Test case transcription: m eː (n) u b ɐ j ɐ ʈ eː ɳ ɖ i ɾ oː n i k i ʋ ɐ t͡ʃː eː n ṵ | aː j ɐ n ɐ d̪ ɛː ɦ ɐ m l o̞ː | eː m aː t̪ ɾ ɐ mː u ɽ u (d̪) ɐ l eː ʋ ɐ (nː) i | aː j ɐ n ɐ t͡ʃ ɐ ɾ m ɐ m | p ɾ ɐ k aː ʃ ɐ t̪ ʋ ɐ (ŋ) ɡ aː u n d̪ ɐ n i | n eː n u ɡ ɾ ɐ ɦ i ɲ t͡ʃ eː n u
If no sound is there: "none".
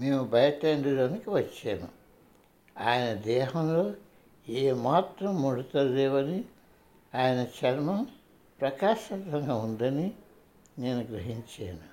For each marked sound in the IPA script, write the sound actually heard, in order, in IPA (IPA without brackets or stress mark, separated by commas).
m, t̪, n, ŋ